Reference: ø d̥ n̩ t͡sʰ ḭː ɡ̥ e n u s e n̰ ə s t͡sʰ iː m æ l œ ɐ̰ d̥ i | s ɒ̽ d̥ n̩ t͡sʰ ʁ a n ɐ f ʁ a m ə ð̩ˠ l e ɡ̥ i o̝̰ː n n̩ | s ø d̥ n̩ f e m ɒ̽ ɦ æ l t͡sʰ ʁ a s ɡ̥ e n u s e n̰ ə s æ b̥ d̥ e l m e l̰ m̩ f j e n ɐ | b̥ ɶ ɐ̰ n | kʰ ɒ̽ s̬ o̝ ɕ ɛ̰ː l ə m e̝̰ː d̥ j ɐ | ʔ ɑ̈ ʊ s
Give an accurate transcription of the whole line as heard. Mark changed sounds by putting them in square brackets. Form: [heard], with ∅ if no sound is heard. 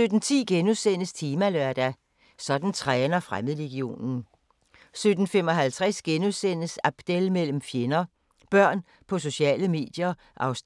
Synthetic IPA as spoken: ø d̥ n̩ t͡sʰ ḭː ɡ̥ e n u s e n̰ ə s t͡sʰ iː m æ l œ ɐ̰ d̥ [æ] | s ɒ̽ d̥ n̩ t͡sʰ ʁ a n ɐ f ʁ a m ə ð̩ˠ l e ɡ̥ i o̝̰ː n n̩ | s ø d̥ n̩ f e m ɒ̽ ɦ æ l t͡sʰ ʁ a s ɡ̥ e n u s e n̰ ə s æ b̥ d̥ e l m e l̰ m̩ f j e n ɐ | b̥ ɶ ɐ̰ n | [pʰ] ɒ̽ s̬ o̝ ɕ ɛ̰ː l ə m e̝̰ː d̥ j ɐ | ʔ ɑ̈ ʊ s

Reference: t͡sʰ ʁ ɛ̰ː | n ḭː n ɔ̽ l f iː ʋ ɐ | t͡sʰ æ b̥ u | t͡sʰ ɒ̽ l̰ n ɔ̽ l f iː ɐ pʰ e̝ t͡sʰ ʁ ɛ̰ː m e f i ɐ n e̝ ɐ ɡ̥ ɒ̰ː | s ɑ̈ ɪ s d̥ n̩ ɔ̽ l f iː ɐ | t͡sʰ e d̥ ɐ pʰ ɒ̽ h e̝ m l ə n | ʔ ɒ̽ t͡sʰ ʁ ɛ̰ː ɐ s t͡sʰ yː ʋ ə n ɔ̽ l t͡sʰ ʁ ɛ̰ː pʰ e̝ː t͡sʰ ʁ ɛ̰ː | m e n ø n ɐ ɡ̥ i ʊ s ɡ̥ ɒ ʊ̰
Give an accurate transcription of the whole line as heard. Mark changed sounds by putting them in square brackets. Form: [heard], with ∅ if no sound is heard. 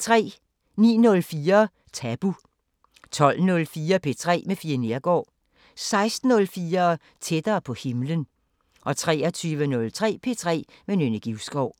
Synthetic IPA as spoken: t͡sʰ ʁ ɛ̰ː | n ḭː n ɔ̽ l f iː [∅] ɐ | t͡sʰ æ b̥ u | t͡sʰ ɒ̽ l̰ n ɔ̽ l f iː ɐ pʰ e̝ t͡sʰ ʁ ɛ̰ː m e f i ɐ n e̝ ɐ ɡ̥ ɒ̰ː | s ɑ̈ ɪ s d̥ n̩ ɔ̽ l f iː ɐ | t͡sʰ e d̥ [ɐː] pʰ ɒ̽ h e̝ m l ə n | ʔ ɒ̽ t͡sʰ ʁ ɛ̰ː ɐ [∅] t͡sʰ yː ʋ ə n ɔ̽ l t͡sʰ ʁ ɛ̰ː pʰ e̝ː t͡sʰ ʁ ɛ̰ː | m e n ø n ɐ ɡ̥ i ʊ s ɡ̥ ɒ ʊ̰

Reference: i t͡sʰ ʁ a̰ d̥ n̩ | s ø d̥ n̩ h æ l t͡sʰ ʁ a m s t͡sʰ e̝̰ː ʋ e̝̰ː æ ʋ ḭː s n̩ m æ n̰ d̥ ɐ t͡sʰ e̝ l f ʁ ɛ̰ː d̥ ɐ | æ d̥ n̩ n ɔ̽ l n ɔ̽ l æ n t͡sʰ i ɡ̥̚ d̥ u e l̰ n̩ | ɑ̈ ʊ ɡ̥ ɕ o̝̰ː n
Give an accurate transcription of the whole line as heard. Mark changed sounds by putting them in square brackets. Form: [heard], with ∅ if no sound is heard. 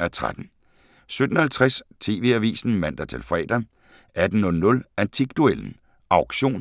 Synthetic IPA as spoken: [æ] t͡sʰ ʁ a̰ d̥ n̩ | s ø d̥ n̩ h æ l t͡sʰ ʁ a [∅] s t͡sʰ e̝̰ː ʋ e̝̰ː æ ʋ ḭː s n̩ m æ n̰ d̥ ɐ t͡sʰ e̝ l f ʁ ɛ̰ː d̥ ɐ | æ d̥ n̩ n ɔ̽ l n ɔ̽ l æ n t͡sʰ i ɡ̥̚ d̥ u e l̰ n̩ | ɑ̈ ʊ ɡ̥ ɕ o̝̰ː n

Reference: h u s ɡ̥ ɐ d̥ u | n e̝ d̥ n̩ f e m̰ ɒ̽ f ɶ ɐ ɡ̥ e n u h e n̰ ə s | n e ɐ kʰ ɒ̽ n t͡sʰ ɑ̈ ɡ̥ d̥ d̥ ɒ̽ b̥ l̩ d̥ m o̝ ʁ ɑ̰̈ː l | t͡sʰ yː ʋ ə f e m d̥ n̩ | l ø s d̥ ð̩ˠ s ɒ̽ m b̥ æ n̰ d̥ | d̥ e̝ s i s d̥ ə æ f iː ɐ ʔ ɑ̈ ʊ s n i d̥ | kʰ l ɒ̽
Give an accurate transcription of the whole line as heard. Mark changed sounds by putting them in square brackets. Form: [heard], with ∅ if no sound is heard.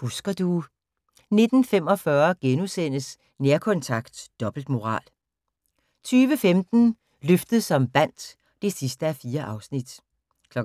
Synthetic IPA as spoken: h u s ɡ̥ ɐ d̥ u | n e̝ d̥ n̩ f e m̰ ɒ̽ f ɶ ɐ ɡ̥ e n u [s] e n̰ ə s | n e ɐ kʰ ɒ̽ n t͡sʰ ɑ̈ ɡ̥ d̥ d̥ ɒ̽ b̥ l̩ d̥ m o̝ ʁ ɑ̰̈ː l | t͡sʰ yː ʋ ə f e m d̥ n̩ | l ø [f] d̥ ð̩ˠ s ɒ̽ m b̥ æ n̰ d̥ | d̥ e̝ s i s d̥ ə æ f iː ɐ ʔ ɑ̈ ʊ s n i d̥ | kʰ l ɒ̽

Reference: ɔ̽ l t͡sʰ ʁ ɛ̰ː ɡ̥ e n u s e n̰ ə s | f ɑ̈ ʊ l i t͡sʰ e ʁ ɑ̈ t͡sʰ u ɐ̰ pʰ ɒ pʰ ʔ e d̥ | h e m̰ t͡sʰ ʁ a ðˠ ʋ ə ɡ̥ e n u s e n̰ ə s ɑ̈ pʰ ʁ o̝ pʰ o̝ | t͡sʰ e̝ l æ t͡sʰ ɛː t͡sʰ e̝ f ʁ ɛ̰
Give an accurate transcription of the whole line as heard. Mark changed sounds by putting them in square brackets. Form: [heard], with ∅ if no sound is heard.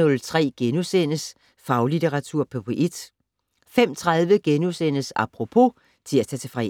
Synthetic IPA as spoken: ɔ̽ l t͡sʰ ʁ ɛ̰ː ɡ̥ e n u s e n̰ ə s | f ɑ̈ ʊ l i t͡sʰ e ʁ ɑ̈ t͡sʰ u ɐ̰ pʰ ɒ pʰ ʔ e d̥ | [f] e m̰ t͡sʰ ʁ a ðˠ ʋ ə ɡ̥ e n u s e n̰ ə s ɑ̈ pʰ ʁ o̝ pʰ o̝ | t͡sʰ e̝ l æ t͡sʰ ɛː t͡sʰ e̝ f ʁ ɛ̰

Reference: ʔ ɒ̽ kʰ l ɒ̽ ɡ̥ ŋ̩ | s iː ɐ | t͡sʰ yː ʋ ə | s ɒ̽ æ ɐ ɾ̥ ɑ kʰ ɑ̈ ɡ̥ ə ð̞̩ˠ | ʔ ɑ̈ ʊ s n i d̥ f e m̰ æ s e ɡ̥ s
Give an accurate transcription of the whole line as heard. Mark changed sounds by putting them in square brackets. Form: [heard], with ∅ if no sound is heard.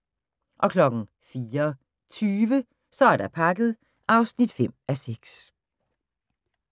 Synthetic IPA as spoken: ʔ ɒ̽ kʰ l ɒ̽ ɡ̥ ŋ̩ | [f] iː ɐ | t͡sʰ yː ʋ ə | s ɒ̽ æ ɐ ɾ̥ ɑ [pʰ] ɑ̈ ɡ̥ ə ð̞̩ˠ | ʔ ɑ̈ ʊ s n i d̥ f e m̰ æ s e ɡ̥ s

